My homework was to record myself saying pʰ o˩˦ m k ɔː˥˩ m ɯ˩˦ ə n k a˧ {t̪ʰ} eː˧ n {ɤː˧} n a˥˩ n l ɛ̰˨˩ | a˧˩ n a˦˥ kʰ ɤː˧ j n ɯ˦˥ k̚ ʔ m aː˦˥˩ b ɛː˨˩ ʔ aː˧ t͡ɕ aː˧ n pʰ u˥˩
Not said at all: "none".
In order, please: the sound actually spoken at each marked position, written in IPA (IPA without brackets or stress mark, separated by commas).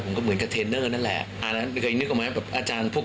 t̪ʰ, ɤː˥˩